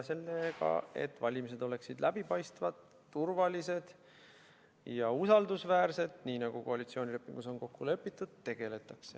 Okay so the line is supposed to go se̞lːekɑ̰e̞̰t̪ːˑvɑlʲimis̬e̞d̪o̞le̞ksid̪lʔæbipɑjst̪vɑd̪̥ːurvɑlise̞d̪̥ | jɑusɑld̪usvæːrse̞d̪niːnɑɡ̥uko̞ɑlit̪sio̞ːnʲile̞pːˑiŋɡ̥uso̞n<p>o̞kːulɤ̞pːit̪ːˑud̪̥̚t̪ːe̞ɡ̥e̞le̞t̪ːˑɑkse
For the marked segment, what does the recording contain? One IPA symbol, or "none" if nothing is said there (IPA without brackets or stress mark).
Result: k